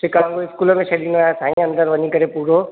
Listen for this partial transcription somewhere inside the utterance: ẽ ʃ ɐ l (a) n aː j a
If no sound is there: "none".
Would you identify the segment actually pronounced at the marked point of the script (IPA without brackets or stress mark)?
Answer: i